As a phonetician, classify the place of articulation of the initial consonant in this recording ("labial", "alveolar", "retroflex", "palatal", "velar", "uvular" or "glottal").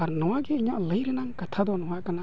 alveolar